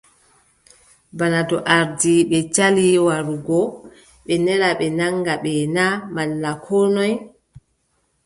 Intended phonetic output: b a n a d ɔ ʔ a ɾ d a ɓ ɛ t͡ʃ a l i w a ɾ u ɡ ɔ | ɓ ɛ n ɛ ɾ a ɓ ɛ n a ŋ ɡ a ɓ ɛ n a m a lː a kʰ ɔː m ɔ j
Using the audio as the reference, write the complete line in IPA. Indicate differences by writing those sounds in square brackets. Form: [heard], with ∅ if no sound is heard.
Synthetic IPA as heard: b a n a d ɔ ʔ a ɾ d [i] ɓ ɛ t͡ʃ a l i w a ɾ u ɡ ɔ | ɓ ɛ n ɛ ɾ a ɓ ɛ n a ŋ ɡ a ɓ ɛ n a m a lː a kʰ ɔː [n] ɔ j